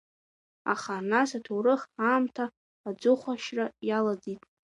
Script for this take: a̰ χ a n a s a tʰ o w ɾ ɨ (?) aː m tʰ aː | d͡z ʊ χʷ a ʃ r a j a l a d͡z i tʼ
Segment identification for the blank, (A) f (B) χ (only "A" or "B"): B